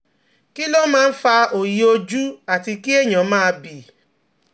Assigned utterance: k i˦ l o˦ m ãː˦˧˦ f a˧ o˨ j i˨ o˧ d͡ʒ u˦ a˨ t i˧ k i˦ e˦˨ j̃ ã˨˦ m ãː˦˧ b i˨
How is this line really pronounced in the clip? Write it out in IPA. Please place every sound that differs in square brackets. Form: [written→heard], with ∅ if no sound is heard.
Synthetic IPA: k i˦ l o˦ m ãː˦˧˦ f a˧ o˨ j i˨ o˧ d͡ʒ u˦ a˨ t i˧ k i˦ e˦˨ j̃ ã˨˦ m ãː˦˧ b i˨